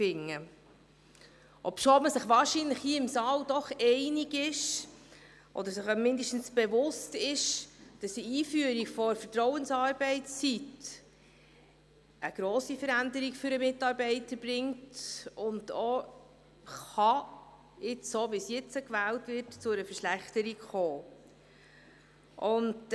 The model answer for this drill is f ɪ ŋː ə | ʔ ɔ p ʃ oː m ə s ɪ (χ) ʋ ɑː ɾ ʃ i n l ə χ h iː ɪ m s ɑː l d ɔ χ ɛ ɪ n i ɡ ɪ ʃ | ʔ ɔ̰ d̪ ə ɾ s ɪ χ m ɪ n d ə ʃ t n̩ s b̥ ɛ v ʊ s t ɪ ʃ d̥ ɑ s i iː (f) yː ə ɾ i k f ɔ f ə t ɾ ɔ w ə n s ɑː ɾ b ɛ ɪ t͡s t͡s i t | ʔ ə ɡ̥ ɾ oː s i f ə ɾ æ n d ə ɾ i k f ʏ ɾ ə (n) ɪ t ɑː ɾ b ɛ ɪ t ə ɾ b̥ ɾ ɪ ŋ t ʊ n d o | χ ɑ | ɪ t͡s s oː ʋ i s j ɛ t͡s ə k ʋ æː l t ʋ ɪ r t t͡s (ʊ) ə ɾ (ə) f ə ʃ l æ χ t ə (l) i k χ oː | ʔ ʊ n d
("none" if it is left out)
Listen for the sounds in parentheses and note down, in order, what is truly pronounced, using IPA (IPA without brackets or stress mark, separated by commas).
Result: χ, f, m, ʊ, ə, ɾ